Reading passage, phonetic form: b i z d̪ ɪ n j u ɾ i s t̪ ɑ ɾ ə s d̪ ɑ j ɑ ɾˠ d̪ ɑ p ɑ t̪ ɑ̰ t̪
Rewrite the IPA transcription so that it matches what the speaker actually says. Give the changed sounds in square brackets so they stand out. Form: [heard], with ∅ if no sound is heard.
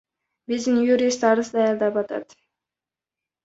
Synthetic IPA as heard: b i z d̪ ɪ n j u ɾ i s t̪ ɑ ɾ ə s d̪ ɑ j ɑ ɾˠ d̪ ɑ p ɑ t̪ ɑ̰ t̪